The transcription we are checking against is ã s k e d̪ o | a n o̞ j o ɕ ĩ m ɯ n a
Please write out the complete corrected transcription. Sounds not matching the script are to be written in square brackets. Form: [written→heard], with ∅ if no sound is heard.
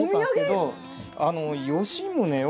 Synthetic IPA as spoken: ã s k e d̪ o | a n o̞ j o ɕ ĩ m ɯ n [a→e]